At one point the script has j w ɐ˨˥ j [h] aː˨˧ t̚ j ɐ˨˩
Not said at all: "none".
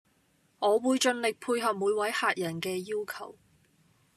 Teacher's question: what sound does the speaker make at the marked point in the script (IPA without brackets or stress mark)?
h